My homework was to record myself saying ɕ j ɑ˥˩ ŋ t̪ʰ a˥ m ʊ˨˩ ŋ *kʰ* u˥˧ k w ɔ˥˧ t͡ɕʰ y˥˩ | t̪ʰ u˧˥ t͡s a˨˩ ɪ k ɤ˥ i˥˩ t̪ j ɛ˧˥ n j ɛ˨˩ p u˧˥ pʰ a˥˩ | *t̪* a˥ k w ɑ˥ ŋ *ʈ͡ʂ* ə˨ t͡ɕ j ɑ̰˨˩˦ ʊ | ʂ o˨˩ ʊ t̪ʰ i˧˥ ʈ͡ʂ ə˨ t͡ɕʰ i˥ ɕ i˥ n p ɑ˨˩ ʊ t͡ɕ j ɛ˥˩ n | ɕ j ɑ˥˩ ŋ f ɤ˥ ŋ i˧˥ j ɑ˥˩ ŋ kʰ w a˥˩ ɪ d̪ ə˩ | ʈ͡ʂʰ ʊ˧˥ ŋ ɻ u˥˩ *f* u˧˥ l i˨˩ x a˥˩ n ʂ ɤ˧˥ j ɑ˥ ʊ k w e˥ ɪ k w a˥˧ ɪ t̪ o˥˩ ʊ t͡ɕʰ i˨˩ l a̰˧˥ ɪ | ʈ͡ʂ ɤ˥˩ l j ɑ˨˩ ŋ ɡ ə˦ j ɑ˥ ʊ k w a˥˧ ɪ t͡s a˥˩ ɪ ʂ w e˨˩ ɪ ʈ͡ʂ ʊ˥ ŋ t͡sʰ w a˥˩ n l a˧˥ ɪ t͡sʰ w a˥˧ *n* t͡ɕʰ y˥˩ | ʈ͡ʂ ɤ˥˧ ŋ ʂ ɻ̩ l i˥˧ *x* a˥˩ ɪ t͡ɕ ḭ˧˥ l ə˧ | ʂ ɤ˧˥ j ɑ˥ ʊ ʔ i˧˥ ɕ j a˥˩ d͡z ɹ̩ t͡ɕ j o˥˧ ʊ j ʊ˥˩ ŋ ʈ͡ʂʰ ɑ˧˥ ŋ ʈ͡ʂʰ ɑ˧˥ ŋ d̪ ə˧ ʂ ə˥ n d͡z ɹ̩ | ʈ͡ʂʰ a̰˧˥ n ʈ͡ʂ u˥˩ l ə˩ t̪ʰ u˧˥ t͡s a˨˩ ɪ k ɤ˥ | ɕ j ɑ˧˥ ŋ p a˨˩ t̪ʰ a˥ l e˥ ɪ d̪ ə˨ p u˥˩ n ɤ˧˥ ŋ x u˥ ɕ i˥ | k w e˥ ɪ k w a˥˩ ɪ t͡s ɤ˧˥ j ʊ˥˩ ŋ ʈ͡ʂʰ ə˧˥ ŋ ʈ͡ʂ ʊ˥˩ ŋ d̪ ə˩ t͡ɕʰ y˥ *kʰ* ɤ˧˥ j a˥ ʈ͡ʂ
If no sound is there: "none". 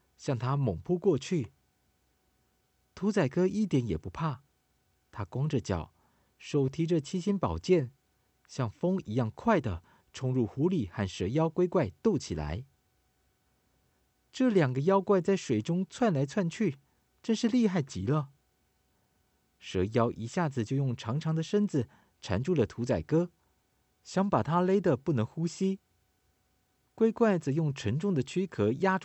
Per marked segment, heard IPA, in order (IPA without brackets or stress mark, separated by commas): pʰ, t̪ʰ, ʈ͡ʂ, x, n, x, kʰ